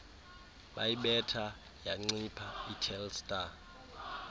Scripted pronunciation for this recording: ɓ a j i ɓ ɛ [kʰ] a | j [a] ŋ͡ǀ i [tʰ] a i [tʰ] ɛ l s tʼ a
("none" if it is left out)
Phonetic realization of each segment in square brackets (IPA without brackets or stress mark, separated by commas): tʰ, a, pʰ, tʰ